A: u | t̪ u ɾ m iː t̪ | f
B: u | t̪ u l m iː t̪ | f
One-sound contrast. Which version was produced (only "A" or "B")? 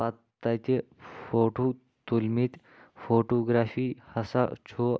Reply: B